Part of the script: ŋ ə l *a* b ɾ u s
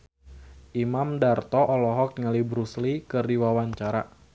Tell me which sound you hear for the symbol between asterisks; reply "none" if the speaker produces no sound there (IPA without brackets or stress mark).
i